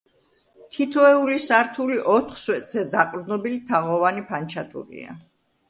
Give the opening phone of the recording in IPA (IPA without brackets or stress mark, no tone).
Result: t̪ʰ